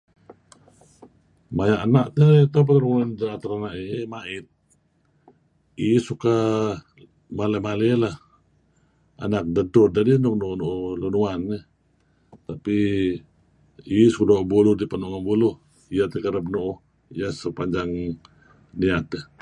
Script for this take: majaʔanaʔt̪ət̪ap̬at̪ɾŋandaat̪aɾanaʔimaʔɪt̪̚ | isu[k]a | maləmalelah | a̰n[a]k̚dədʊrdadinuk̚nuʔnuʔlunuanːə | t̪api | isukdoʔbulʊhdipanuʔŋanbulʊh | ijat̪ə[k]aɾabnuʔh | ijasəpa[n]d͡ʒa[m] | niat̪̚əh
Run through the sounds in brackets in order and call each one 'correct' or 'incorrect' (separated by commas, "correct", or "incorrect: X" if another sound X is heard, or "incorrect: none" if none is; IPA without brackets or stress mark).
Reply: correct, correct, correct, incorrect: ɲ, incorrect: ŋ